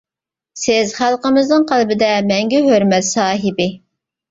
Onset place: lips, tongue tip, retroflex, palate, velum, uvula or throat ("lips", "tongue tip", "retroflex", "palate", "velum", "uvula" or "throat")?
tongue tip